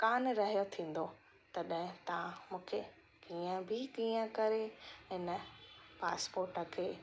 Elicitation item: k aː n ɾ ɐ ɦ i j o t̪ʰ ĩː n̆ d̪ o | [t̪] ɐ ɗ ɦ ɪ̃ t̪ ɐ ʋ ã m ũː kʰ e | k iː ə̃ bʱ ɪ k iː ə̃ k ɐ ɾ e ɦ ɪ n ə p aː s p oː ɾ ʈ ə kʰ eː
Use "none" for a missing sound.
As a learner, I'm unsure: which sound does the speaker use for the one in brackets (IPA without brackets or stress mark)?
t̪